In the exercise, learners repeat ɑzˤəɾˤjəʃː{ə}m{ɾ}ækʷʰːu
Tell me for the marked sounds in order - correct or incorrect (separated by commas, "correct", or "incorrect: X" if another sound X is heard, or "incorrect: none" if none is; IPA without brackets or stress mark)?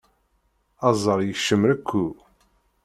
correct, correct